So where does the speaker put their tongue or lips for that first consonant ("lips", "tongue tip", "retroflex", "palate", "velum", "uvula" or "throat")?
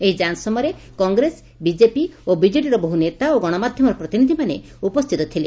throat